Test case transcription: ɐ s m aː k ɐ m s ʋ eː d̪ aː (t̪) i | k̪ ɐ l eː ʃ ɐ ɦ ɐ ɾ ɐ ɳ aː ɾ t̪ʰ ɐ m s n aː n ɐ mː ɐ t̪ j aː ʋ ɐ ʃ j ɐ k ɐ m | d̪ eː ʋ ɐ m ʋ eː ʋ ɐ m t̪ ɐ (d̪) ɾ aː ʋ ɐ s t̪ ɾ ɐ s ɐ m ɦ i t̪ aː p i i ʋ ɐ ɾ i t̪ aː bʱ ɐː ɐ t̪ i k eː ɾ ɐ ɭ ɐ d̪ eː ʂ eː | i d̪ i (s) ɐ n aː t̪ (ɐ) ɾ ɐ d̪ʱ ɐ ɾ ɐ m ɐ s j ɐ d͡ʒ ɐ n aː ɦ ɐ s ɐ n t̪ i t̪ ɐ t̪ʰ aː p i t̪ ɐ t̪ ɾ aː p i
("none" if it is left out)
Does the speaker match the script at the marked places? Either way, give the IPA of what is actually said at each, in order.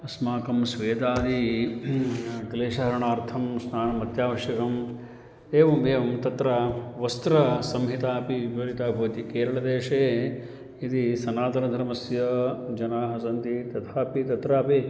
d̪, t̪, s, ɐ

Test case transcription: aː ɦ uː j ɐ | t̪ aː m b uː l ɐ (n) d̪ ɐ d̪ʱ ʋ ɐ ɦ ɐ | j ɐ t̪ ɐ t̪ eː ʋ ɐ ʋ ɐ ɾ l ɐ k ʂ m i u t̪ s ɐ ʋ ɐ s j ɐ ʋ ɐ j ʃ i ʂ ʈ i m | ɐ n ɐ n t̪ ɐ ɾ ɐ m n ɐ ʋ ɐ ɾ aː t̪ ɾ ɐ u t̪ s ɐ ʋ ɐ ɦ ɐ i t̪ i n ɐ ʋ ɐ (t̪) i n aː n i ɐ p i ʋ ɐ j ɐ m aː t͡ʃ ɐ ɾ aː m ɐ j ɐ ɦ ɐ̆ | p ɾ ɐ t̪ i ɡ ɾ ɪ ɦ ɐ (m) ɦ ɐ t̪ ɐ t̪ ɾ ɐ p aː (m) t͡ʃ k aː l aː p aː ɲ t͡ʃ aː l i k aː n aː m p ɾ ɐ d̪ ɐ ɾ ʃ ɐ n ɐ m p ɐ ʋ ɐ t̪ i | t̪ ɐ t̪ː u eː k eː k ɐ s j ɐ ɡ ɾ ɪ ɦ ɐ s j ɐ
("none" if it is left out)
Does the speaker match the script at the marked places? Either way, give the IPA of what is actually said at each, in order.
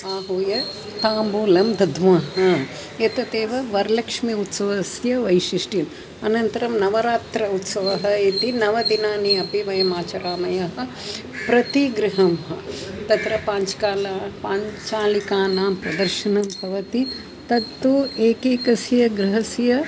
m, d̪, m, ɲ

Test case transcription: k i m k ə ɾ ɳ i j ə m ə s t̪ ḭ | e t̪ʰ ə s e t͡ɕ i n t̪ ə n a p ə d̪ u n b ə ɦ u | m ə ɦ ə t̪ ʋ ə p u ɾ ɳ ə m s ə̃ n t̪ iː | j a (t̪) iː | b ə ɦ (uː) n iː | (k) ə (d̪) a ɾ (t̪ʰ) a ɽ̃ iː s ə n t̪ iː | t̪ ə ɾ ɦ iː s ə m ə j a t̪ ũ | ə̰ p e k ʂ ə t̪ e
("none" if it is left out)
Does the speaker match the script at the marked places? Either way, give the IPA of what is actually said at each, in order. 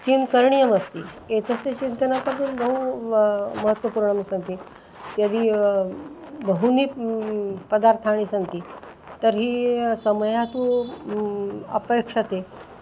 d̪, u, p, d̪, t̪ʰ

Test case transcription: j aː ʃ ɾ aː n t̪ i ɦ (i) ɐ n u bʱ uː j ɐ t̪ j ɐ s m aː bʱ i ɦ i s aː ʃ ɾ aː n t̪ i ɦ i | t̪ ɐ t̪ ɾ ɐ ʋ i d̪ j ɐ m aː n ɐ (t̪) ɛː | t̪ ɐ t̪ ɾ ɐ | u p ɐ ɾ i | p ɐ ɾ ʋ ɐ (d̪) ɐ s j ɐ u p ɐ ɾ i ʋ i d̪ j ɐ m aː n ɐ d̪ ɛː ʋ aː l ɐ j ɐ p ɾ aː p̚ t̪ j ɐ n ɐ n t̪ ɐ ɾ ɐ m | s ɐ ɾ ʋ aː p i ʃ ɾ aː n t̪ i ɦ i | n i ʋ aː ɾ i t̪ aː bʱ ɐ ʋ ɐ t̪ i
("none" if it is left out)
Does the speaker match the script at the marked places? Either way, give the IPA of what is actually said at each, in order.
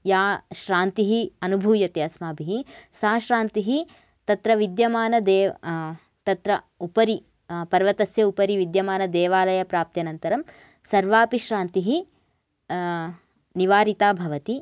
i, d̪, t̪

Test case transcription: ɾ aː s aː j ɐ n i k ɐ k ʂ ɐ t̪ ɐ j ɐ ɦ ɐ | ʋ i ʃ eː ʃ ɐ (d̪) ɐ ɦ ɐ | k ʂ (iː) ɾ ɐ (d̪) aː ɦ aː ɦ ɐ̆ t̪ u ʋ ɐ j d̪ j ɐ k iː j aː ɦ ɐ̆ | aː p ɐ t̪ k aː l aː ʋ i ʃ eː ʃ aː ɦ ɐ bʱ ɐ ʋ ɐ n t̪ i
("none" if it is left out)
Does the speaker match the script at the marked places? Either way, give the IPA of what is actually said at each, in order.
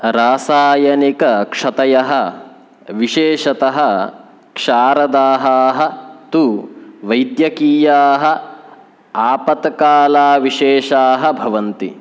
t̪, aː, d̪

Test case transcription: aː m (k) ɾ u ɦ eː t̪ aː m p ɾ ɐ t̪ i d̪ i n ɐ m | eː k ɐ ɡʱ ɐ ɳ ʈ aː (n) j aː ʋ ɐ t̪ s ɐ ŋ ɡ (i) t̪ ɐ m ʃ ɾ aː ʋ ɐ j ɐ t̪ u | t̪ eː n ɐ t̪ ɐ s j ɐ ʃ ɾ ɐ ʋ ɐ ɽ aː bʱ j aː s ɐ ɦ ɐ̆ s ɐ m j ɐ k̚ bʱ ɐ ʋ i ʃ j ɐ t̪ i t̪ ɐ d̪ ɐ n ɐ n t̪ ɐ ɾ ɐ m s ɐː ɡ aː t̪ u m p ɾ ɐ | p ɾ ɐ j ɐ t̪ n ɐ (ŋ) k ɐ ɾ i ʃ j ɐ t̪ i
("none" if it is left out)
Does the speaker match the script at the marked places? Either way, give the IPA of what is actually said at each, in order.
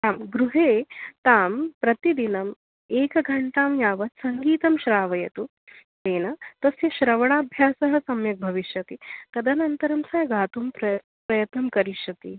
ɡ, m, iː, m

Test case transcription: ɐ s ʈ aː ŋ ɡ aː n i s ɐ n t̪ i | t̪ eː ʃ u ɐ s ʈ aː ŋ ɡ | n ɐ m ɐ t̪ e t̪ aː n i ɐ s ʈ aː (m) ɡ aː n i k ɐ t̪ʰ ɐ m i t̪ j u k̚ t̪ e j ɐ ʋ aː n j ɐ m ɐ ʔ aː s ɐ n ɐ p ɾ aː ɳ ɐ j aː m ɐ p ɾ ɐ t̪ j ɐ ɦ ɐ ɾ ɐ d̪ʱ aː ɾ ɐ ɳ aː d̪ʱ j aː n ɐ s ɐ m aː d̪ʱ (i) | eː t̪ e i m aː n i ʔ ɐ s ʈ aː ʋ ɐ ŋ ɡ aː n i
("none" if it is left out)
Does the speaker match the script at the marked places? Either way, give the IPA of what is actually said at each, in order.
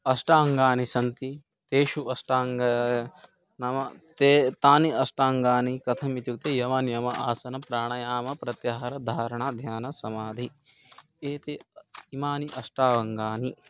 ŋ, i

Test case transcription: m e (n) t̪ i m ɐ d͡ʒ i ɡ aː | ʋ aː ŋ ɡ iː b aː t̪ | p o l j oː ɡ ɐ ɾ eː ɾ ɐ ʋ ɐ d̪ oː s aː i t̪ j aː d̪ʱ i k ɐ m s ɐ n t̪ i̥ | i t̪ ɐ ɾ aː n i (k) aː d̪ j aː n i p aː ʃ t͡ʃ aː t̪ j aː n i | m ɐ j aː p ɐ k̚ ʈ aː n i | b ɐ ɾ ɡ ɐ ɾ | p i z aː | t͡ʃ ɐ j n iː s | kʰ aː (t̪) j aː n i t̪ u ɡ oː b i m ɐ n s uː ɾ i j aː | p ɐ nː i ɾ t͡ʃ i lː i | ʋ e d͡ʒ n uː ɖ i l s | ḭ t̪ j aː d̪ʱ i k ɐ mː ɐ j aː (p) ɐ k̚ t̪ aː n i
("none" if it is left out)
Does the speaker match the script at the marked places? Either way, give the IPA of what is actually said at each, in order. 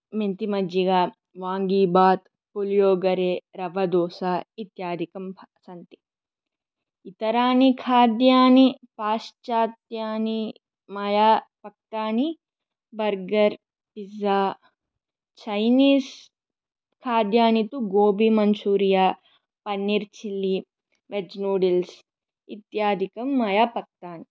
n, kʰ, d̪, p

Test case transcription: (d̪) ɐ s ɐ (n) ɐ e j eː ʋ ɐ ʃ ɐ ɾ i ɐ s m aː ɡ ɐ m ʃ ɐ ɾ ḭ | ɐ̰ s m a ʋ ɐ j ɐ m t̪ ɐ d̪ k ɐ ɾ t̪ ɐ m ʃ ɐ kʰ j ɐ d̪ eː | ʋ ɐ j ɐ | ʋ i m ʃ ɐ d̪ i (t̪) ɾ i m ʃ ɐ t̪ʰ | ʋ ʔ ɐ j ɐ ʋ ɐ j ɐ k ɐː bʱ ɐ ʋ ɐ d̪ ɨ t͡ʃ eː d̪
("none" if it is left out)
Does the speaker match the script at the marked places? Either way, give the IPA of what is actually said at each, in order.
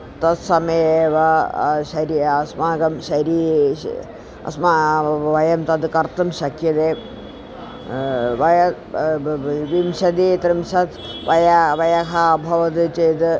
t̪, m, t̪

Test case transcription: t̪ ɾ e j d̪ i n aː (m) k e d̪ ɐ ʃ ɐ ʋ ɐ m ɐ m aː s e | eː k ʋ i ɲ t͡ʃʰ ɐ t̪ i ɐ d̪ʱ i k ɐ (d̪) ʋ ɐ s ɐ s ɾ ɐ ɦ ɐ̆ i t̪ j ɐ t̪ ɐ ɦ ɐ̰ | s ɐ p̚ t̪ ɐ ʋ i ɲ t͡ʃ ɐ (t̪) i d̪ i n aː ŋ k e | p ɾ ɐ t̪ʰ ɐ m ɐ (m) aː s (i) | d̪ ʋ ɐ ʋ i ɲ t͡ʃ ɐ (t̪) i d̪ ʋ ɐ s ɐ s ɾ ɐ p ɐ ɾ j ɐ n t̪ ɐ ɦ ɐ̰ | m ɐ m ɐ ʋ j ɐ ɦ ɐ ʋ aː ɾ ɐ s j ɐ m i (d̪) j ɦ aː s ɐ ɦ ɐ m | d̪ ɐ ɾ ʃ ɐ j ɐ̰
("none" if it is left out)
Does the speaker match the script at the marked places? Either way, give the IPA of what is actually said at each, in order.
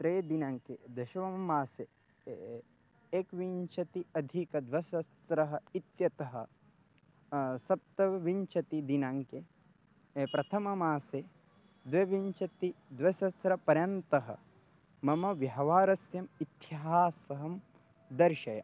ŋ, d̪, t̪, m, e, t̪, t̪

